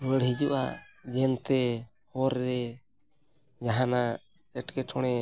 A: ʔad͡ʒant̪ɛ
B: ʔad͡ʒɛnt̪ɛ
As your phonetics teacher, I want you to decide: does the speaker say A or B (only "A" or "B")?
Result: B